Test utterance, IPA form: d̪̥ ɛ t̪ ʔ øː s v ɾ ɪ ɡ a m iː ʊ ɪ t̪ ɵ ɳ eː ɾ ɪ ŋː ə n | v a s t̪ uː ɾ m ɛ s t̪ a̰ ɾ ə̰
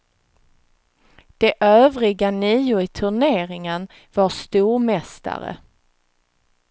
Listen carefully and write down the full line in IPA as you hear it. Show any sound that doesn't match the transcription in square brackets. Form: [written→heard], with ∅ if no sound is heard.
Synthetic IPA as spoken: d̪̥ ɛ [t̪→∅] ʔ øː [s→∅] v ɾ ɪ ɡ a [m→n] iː ʊ ɪ [t̪→t̪ʰ] ɵ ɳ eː ɾ ɪ [ŋː→ŋ] ə n | v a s t̪ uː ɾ m ɛ s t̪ a̰ ɾ ə̰